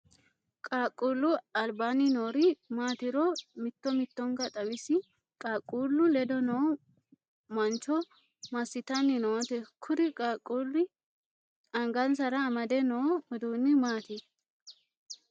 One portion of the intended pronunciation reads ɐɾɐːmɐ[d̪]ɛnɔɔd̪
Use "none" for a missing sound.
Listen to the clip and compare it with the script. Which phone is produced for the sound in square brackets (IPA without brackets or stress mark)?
d̪